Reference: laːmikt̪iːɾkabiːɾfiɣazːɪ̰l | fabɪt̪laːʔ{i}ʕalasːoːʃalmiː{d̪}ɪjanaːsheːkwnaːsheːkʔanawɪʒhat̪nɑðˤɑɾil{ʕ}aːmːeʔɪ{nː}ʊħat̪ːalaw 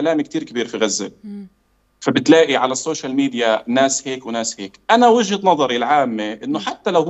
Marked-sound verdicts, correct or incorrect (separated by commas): correct, correct, correct, correct